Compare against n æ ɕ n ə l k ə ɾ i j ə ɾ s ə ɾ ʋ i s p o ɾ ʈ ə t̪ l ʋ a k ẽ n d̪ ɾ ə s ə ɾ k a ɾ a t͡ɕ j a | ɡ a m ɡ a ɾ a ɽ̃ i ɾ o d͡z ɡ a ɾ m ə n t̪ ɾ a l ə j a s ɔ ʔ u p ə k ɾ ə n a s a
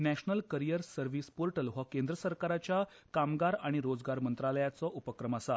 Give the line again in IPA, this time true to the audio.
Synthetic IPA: n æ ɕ n ə l k ə ɾ i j ə ɾ s ə ɾ ʋ i s p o ɾ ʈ ə l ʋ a k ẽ n d̪ ɾ ə s ə ɾ k a ɾ a t͡ɕ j a | k a m ɡ a ɾ a ɽ̃ i ɾ o d͡z ɡ a ɾ m ə n t̪ ɾ a l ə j a t͡s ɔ ʔ u p ə k ɾ ə m a s a